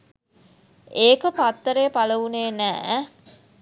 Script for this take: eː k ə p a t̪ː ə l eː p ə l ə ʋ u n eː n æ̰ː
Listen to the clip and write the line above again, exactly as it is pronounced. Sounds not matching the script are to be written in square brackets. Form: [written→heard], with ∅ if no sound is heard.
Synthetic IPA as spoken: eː k ə p a t̪ː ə [l→ɾ] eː p [ə→a] l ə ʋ u n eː n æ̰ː